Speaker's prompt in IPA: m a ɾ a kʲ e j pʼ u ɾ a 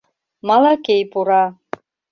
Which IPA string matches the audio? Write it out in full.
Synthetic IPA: m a l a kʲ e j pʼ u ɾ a

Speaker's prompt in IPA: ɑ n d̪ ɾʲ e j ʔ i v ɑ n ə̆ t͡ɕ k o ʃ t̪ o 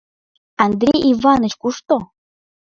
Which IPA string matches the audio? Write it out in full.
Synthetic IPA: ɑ n d̪ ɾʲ e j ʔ i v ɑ n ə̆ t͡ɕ k u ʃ t̪ o

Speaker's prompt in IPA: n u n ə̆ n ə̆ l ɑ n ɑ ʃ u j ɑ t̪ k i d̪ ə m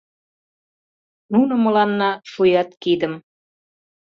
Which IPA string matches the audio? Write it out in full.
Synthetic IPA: n u n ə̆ m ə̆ l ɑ nː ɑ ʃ u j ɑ t̪ k i d̪ ə m

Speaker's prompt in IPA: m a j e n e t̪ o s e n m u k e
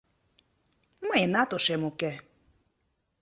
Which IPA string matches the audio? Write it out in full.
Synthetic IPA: m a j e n a t̪ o ʃ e m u k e

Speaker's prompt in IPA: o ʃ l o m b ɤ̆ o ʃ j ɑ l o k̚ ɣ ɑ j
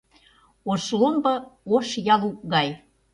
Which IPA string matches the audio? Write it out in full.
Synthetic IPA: o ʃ l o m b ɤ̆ o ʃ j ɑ l u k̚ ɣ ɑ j

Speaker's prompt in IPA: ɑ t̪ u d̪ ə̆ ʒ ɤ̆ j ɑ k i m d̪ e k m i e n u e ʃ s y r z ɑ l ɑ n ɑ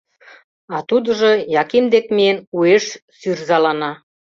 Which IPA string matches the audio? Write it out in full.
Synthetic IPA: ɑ t̪ u d̪ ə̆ ʒ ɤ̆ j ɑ k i m d̪ e k m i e n u e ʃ s y r z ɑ l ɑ n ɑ

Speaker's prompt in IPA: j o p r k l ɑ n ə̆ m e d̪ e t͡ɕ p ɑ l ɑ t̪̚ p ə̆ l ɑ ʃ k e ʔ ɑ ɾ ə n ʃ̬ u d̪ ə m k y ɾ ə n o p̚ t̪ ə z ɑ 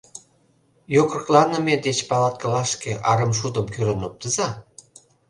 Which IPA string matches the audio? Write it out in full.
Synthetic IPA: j o k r k l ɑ n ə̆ m e d̪ e t͡ɕ p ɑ l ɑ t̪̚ k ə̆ l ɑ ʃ k e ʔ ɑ ɾ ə m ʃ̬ u d̪ ə m k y ɾ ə n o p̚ t̪ ə z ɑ

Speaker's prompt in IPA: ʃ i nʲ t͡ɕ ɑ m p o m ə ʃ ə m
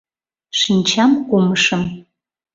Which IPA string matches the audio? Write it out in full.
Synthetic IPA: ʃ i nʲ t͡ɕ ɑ m k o m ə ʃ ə m

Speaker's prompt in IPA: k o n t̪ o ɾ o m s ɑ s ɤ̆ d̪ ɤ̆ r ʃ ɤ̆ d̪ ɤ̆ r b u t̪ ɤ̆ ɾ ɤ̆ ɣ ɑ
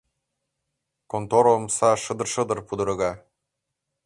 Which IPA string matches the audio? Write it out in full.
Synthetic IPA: k o n t̪ o ɾ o m s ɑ ʃ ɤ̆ d̪ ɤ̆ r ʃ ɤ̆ d̪ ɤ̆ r p u d̪ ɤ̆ ɾ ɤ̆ ɣ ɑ

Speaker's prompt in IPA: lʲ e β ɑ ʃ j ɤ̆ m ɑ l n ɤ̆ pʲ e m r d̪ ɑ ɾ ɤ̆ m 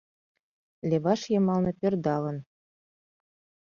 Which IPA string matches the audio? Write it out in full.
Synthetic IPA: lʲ e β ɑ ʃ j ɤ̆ m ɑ l n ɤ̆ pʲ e r d̪ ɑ l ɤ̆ n

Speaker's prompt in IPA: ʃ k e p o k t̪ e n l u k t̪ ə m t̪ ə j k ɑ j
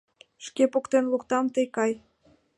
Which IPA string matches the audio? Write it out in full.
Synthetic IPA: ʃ k e p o k t̪ e n l u k t̪ ɑ m t̪ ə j k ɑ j

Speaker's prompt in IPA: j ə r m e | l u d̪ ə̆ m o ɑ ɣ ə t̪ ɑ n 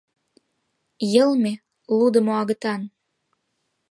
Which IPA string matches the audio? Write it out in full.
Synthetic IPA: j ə l m e | l u d̪ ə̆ m o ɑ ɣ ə t̪ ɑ n

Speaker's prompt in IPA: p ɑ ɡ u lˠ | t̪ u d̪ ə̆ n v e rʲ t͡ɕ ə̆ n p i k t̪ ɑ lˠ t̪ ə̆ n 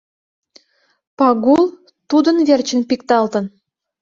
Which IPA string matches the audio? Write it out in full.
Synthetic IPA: p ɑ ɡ u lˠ | t̪ u d̪ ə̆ n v e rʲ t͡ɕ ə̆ n p i k t̪ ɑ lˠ t̪ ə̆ n

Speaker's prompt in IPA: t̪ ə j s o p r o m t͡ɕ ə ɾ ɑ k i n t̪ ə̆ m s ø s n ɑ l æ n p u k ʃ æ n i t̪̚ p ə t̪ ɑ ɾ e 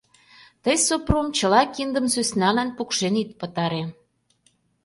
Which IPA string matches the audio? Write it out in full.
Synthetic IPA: t̪ ə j s o p r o m t͡ɕ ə l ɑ k i n d̪ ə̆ m s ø s n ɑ l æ n p u k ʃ e n i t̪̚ p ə t̪ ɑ ɾ e

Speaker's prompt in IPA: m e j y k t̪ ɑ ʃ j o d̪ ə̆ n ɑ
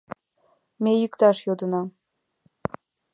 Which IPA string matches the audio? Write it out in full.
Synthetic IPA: m e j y k t̪ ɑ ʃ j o d̪ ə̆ n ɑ

